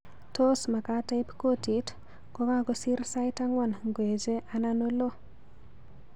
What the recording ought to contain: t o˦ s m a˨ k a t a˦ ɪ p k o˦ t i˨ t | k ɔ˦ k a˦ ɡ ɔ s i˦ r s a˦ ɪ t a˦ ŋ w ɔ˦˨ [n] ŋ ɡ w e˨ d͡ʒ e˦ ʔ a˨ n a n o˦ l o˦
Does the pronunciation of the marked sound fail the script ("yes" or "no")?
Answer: no